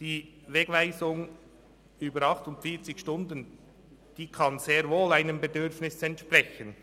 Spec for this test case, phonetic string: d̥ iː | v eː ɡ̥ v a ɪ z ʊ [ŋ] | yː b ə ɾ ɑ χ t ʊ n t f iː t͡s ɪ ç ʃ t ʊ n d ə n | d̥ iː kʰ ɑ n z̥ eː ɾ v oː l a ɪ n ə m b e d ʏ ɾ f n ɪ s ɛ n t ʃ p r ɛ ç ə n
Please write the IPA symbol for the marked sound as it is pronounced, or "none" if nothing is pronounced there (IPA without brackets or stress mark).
ŋ